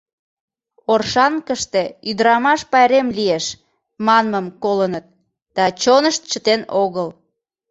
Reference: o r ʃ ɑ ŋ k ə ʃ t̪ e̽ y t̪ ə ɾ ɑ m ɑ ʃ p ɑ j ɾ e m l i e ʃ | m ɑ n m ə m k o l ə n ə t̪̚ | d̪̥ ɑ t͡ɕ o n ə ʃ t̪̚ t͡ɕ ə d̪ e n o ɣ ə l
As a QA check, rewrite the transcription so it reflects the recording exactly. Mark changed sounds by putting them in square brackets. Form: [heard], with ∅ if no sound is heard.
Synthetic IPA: o r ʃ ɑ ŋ k ə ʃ t̪ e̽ y [d̪] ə ɾ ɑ m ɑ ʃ p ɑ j ɾ e m l i e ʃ | m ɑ n m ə m k o l ə n ə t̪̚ | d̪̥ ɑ t͡ɕ o n ə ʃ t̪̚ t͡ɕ ə [t̪] e n o ɣ ə l